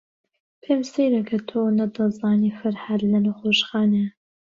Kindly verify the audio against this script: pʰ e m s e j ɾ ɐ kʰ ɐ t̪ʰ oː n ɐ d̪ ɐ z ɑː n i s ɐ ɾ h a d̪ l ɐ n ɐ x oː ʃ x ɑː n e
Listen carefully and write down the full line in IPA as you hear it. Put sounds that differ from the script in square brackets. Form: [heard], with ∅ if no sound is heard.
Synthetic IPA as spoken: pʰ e m s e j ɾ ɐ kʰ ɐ t̪ʰ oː n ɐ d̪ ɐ z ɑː n i [f] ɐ ɾ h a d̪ l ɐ n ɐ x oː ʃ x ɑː n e